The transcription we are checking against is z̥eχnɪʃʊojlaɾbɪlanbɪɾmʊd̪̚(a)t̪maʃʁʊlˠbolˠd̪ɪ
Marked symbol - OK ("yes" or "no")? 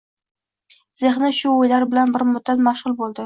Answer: yes